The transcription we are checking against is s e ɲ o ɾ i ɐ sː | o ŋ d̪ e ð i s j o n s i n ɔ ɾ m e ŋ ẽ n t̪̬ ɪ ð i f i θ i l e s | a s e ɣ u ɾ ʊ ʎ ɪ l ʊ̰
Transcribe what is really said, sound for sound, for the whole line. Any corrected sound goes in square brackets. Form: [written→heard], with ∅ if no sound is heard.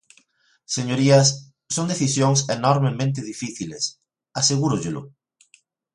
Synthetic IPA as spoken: s e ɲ o ɾ i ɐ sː | o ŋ d̪ e [ð→θ] i s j o [n→ŋ] s [i→e] n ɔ ɾ m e [ŋ→m] ẽ n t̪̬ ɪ ð i f i θ i l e s | a s e ɣ u ɾ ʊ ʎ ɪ l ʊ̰